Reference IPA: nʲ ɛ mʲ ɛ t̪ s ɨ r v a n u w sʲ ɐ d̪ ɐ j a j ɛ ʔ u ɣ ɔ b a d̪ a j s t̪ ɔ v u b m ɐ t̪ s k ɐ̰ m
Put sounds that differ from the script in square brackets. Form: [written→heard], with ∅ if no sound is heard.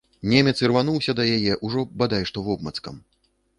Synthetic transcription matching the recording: nʲ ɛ mʲ ɛ t̪ s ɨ r v a n u w sʲ ɐ d̪ ɐ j a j ɛ ʔ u [ɣ→ʐ] ɔ b a d̪ a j [s→ʂ] t̪ ɔ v [u→ɔ] b m ɐ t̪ s k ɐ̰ m

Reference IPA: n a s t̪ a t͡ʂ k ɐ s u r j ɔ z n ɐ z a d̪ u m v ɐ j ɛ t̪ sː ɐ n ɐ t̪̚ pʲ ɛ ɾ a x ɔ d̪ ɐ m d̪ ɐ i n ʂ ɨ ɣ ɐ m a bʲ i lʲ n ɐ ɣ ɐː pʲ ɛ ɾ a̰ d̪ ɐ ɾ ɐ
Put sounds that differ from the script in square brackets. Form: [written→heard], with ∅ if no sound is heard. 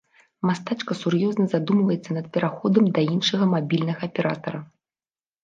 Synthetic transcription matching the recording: [n→m] a s t̪ a t͡ʂ k ɐ s u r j ɔ z n ɐ z a d̪ u m v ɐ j ɛ t̪ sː ɐ n ɐ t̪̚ pʲ ɛ ɾ a x ɔ d̪ ɐ m d̪ ɐ i n ʂ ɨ ɣ ɐ m a bʲ i lʲ n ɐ ɣ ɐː pʲ ɛ ɾ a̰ [d̪→t̪] ɐ ɾ ɐ

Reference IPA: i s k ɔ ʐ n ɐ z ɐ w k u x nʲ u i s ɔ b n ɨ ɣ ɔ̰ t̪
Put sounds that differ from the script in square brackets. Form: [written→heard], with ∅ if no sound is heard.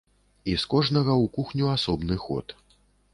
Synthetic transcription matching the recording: i s k ɔ ʐ n ɐ [z→ɣ] ɐ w k u x nʲ u [i→a] s ɔ b n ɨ [ɣ→x] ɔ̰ t̪

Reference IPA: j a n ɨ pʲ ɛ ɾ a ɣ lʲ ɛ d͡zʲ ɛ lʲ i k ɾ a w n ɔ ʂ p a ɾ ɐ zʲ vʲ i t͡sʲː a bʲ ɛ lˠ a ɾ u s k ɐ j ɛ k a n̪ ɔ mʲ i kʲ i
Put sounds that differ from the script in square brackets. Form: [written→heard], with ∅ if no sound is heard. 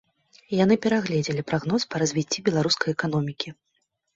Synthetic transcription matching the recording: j a n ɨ pʲ ɛ ɾ a ɣ lʲ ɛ d͡zʲ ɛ lʲ i [k→p] ɾ a [w→ɣ] n ɔ [ʂ→s] p [a→ɐ] ɾ ɐ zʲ vʲ i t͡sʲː [a→i] bʲ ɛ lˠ a ɾ u s k ɐ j ɛ k a n̪ ɔ mʲ i kʲ i

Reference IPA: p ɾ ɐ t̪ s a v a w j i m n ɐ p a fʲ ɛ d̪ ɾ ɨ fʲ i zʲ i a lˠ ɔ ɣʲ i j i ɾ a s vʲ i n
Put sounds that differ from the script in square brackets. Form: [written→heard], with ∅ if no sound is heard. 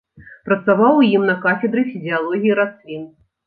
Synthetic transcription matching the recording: p ɾ ɐ t̪ s a v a w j i m n ɐ [p→k] a fʲ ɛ d̪ ɾ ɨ fʲ i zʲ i a lˠ ɔ ɣʲ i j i ɾ a s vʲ i n

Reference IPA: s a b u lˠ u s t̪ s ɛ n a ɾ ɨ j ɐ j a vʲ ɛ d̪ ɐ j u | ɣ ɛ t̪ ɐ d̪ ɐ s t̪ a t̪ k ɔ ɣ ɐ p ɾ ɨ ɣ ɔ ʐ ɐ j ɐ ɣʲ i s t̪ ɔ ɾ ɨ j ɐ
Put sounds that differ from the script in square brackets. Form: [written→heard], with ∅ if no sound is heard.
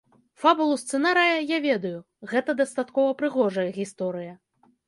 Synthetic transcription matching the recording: [s→f] a b u lˠ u s t̪ s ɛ n a ɾ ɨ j ɐ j a vʲ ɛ d̪ ɐ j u | ɣ ɛ t̪ ɐ d̪ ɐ s t̪ a t̪ k ɔ [ɣ→v] ɐ p ɾ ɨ ɣ ɔ ʐ ɐ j ɐ ɣʲ i s t̪ ɔ ɾ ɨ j ɐ

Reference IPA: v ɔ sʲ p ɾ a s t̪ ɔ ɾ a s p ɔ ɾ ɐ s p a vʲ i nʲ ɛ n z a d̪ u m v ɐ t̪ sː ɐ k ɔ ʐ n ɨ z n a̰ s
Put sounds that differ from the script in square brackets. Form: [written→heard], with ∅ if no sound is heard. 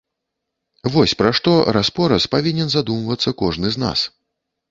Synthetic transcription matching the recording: v ɔ sʲ p ɾ a [s→ʂ] t̪ ɔ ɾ a s p ɔ ɾ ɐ s p a vʲ i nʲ ɛ n z a d̪ u m v ɐ t̪ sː ɐ k ɔ ʐ n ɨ z n a̰ s

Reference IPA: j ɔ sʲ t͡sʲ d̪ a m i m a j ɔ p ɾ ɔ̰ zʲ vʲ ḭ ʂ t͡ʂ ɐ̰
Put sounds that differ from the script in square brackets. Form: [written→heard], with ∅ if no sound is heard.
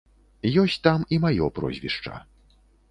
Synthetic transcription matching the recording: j ɔ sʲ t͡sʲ [d̪→t̪] a m i m a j ɔ p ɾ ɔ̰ zʲ vʲ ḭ ʂ t͡ʂ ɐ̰

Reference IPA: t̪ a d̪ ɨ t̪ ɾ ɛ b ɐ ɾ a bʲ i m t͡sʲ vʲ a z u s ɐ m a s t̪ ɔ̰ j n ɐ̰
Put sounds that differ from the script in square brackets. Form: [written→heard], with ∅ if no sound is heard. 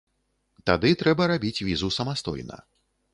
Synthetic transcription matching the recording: t̪ a d̪ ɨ t̪ ɾ ɛ b ɐ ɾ a bʲ i [m→∅] t͡sʲ vʲ [a→i] z u s ɐ m a s t̪ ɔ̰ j n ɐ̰

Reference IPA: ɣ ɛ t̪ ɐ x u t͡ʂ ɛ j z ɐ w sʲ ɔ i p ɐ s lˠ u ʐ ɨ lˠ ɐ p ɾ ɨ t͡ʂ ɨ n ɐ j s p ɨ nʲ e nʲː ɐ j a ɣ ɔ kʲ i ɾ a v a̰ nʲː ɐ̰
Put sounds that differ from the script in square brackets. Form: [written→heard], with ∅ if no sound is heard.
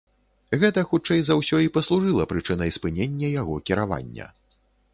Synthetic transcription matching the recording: ɣ ɛ t̪ ɐ x u t͡ʂ ɛ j z [ɐ→a] w sʲ ɔ i p ɐ s lˠ u ʐ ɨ lˠ ɐ p ɾ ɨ t͡ʂ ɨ n ɐ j s p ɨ nʲ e nʲː ɐ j a ɣ ɔ kʲ i ɾ a v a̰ nʲː ɐ̰

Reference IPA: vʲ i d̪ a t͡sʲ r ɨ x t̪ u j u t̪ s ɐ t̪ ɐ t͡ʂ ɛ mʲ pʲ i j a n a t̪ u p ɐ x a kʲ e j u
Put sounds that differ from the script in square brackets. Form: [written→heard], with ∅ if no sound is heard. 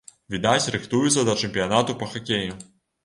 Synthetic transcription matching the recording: vʲ i d̪ a t͡sʲ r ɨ x t̪ u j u t̪ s ɐ [t̪→d̪] ɐ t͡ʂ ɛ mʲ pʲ i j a n a t̪ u p ɐ x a kʲ e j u

